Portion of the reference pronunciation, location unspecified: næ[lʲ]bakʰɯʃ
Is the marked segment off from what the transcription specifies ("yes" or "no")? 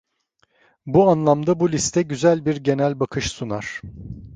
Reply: no